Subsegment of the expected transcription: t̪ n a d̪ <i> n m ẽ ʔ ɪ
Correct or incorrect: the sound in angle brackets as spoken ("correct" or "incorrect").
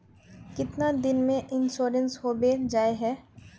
incorrect